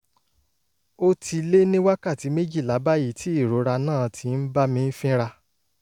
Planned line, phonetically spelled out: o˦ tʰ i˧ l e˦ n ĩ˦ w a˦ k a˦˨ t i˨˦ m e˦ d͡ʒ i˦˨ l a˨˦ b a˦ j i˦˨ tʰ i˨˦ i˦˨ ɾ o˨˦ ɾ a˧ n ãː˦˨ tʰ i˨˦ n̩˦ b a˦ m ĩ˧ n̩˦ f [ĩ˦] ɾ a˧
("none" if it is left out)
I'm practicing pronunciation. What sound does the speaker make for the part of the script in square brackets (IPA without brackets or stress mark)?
ĩ˦